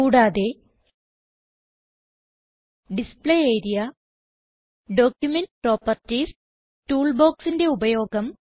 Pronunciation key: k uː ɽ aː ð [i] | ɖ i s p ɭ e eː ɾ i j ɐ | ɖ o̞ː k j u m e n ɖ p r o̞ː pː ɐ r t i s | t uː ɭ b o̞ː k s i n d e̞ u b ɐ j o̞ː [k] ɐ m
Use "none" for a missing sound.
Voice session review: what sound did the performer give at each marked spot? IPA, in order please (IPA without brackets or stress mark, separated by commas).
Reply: e, ɡ